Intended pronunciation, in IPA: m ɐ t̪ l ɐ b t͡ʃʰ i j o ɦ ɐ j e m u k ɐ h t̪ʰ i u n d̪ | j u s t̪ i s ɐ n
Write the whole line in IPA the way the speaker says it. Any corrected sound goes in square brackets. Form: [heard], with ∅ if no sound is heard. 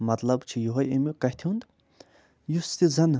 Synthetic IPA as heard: m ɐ t̪ l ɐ b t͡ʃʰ i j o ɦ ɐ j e m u k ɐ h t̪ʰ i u n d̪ | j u s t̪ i [z] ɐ n